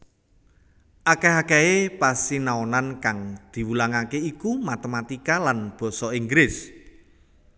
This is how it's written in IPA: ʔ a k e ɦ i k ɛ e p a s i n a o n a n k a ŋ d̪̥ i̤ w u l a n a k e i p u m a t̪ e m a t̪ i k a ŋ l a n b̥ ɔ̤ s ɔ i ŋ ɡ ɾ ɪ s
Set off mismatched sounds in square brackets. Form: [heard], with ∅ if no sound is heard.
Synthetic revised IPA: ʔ a k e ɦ [a] k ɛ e p a s i n a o n a n k a ŋ d̪̥ i̤ w u l a [ŋ] a k e i [k] u m a t̪ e m a t̪ i k a [∅] l a n b̥ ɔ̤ s ɔ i ŋ ɡ ɾ ɪ s